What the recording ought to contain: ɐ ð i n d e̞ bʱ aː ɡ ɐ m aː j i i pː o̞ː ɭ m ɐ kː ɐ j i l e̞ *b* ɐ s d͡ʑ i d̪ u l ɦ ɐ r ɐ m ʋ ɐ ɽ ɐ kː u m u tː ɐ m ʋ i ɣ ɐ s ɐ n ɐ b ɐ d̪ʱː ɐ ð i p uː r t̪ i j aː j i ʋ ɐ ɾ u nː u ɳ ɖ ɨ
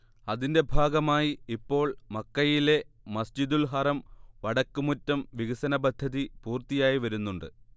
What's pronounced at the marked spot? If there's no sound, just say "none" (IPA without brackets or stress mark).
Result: m